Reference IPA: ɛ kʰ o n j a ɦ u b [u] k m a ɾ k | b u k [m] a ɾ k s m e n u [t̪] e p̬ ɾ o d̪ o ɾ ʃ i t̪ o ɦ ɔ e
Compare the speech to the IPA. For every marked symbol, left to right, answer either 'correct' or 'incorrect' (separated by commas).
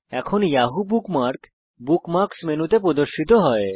correct, correct, correct